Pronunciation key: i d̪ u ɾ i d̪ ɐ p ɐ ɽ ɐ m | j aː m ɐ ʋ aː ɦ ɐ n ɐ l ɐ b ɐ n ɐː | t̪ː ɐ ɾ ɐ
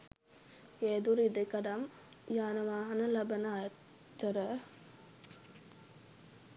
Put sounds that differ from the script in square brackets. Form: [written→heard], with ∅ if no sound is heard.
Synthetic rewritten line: [i→e] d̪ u ɾ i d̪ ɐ [p→k] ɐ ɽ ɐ m | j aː [m→n] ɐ ʋ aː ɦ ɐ n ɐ l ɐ b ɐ n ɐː | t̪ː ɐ ɾ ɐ

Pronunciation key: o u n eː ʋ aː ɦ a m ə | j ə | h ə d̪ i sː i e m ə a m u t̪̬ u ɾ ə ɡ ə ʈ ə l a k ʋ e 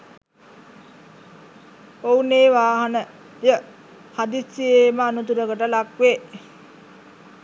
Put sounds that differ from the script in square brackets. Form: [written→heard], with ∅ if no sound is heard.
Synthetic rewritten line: o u n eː ʋ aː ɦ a [m→n] ə | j ə | h [ə→a] d̪ i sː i e m ə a [m→n] u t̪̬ u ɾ ə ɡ ə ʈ ə l a k ʋ e

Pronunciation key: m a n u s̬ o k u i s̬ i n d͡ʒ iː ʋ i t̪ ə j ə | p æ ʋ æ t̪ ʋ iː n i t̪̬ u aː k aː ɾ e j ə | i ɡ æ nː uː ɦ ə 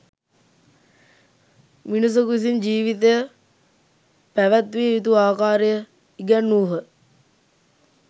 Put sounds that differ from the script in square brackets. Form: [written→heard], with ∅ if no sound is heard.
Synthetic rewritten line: m [a→i] n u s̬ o k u i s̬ i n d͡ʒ iː ʋ i t̪ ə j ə | p æ ʋ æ t̪ ʋ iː [n→∅] i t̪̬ u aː k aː ɾ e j ə | i ɡ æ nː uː ɦ ə

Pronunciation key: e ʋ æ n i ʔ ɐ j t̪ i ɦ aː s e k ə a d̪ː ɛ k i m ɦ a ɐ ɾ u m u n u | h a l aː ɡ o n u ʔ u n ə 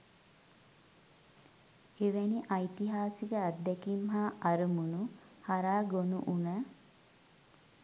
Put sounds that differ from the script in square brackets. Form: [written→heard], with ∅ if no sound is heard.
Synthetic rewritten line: e ʋ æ n i ʔ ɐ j t̪ i ɦ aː s [e→i] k ə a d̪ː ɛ k i m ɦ a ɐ ɾ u m u n u | h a [l→ɾ] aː ɡ o n u ʔ u n ə

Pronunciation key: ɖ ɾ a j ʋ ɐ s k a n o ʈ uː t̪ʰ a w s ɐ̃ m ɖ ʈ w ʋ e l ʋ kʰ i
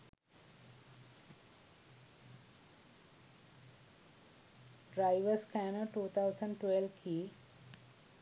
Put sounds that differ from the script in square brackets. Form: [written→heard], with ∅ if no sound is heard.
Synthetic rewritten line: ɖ ɾ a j ʋ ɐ s k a n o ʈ uː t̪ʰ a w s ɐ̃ [m→ɳ] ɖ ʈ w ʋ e l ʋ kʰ i

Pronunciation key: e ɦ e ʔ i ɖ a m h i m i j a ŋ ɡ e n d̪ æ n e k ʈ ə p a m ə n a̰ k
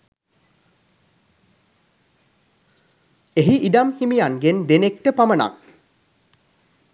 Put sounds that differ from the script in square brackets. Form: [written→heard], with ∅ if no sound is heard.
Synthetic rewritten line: e ɦ [e→i] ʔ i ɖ a m h i m i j a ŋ ɡ e n d̪ [æ→e] n e k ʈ ə p a m ə n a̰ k

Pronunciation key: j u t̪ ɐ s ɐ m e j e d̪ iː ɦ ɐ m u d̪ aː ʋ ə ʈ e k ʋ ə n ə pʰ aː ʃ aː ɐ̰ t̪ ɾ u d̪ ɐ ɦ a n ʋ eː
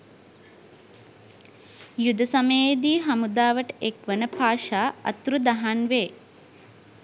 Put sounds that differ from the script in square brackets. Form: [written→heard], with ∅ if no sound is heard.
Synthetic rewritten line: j u [t̪→d̪] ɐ s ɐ m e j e d̪ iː ɦ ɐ m u d̪ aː ʋ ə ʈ e k ʋ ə n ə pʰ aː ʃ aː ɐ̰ t̪ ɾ u d̪ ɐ ɦ a n ʋ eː

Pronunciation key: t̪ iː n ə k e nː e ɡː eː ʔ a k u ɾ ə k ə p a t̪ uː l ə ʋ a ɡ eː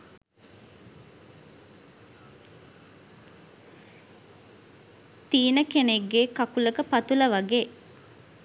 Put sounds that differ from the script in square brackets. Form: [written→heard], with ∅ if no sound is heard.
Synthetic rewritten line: t̪ iː n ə k e [nː→n] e ɡː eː [ʔ→k] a k u [ɾ→l] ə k ə p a t̪ [uː→u] l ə ʋ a ɡ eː

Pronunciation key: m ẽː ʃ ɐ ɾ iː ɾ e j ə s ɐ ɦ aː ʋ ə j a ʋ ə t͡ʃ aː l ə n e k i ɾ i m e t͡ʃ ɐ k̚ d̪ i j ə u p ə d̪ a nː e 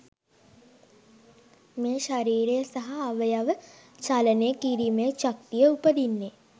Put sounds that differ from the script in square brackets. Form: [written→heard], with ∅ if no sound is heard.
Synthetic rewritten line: m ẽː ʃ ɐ ɾ iː ɾ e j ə s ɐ ɦ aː ʋ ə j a ʋ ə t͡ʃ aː l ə n e k i ɾ i m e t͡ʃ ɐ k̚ [d̪→t̪] i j ə u p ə d̪ [a→i] nː e

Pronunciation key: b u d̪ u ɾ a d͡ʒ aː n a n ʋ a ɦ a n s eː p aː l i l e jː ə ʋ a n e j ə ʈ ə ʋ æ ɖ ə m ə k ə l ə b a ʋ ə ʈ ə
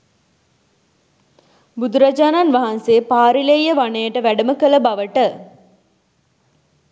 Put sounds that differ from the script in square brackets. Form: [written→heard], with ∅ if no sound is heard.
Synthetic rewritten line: b u d̪ u ɾ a d͡ʒ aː n a n ʋ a ɦ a n s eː p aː [l→ɾ] i l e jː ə ʋ a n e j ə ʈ ə ʋ æ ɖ ə m ə k ə l ə b a ʋ ə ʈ ə

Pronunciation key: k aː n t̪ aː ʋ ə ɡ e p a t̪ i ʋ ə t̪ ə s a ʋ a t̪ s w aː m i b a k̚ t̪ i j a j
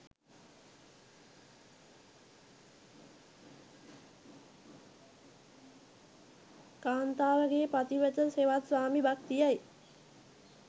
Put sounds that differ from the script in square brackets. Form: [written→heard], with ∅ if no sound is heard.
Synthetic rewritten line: k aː n t̪ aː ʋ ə ɡ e p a t̪ i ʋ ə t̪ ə s [a→e] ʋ a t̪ s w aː m i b a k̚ t̪ i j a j

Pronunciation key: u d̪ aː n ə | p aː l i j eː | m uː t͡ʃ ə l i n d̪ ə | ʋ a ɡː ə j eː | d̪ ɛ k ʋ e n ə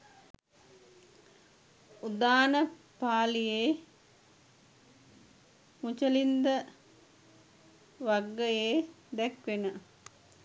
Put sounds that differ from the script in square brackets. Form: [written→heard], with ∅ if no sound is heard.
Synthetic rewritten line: u d̪ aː n ə | p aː l i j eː | m [uː→u] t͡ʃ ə l i n d̪ ə | ʋ a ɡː ə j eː | d̪ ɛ k ʋ e n ə

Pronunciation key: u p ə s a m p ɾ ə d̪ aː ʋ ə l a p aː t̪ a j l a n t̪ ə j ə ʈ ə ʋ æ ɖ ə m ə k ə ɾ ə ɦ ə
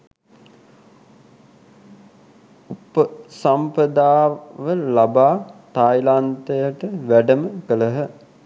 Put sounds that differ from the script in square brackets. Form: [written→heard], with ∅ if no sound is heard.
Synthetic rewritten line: u p ə s a m p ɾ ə d̪ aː ʋ ə l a [p→b] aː t̪ a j l a n t̪ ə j ə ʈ ə ʋ æ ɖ ə m ə k ə [ɾ→l] ə ɦ ə

